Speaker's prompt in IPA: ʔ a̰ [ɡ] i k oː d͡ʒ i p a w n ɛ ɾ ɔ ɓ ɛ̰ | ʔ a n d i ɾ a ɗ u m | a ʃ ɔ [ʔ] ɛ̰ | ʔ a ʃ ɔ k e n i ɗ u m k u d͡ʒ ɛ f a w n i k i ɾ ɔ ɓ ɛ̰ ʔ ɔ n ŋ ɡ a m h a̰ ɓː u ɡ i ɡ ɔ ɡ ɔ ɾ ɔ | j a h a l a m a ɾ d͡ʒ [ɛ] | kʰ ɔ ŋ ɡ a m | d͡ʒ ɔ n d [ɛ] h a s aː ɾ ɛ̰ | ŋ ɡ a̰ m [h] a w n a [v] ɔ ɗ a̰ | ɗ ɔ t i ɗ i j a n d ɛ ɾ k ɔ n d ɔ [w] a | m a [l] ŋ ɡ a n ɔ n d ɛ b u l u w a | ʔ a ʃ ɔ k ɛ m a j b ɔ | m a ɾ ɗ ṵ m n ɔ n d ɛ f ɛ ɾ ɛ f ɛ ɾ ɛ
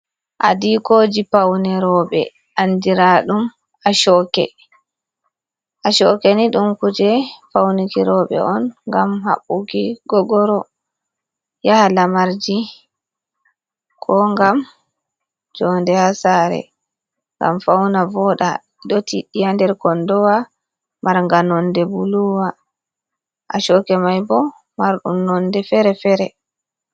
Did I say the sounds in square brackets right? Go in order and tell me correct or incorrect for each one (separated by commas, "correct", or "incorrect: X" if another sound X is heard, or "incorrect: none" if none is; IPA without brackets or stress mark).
incorrect: d, incorrect: k, incorrect: i, correct, incorrect: f, correct, correct, incorrect: ɾ